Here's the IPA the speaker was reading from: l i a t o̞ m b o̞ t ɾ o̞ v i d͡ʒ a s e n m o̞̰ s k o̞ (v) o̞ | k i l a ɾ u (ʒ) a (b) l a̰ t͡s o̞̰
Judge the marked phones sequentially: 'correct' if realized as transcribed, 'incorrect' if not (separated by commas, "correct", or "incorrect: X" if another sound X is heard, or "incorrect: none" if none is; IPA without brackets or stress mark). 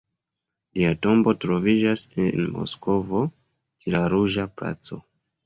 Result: correct, correct, incorrect: p